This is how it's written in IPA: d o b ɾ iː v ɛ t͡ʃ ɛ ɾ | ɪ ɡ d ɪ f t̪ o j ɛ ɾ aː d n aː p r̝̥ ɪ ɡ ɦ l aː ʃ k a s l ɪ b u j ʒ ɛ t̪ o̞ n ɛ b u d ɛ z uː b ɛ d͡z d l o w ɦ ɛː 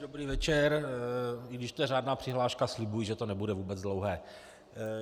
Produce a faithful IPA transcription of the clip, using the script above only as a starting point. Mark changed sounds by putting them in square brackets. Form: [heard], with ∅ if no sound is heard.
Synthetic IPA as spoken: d o b ɾ iː v ɛ t͡ʃ ɛ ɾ | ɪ ɡ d ɪ [ʃ] t̪ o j ɛ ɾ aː d n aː p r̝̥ ɪ [∅] ɦ l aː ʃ k a s l ɪ b u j ʒ ɛ t̪ o̞ n ɛ b u d ɛ [v] uː b ɛ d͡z d l o w ɦ ɛː